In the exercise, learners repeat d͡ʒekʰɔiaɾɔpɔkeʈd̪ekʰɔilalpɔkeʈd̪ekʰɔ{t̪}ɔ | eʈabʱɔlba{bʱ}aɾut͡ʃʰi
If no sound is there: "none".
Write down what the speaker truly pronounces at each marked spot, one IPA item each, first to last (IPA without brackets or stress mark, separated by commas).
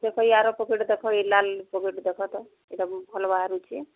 t̪, none